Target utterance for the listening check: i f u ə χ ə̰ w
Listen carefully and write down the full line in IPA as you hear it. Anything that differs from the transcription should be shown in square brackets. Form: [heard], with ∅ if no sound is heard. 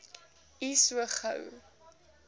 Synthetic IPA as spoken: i [s] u ə χ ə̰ w